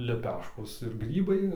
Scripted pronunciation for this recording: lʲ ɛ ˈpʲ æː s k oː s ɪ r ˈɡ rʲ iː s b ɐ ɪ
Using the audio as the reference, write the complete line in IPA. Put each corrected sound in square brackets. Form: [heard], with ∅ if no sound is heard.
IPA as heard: lʲ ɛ ˈpʲ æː [ʃ] k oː s ɪ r ˈɡ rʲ iː [∅] b ɐ ɪ